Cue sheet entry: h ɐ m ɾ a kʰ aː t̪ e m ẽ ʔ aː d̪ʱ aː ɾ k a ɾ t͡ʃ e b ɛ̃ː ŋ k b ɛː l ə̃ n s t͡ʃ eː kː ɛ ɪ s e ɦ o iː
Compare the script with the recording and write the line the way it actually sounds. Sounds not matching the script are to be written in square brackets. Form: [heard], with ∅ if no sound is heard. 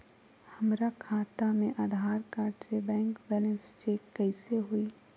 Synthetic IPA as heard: h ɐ m ɾ a kʰ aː t̪ [a] m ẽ ʔ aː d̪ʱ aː ɾ k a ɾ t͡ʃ e b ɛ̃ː ŋ k b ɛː l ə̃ n s t͡ʃ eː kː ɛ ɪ s e ɦ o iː